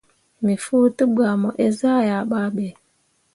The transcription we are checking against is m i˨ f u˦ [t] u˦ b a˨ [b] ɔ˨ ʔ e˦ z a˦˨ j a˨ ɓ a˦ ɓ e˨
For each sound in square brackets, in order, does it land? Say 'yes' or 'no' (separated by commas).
yes, no